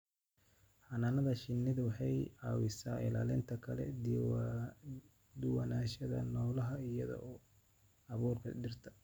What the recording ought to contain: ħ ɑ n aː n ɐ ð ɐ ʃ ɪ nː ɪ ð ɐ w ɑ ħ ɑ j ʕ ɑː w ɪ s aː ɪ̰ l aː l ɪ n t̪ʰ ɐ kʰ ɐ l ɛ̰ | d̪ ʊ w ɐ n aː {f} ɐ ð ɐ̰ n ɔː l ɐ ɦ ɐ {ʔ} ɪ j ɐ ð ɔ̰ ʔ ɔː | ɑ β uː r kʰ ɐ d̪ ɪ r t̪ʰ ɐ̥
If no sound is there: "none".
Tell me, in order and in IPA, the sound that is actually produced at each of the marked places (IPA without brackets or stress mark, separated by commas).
ʃ, none